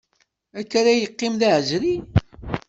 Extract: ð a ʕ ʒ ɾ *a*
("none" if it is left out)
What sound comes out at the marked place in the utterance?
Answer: i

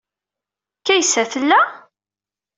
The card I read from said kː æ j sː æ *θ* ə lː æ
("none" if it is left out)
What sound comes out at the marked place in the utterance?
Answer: θ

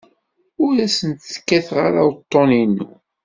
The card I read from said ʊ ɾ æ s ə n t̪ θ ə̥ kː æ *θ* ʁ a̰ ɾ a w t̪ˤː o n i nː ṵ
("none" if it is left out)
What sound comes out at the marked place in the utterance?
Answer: θ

